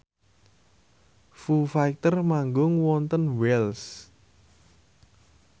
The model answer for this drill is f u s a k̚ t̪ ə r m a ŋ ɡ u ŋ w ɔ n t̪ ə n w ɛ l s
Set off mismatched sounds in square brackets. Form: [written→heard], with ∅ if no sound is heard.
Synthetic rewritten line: f u [s→f] a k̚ t̪ ə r m a ŋ ɡ [u→ʊ] ŋ w ɔ n t̪ ə n w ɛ l s